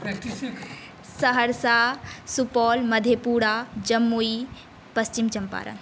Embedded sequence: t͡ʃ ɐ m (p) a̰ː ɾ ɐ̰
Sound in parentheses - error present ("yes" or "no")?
no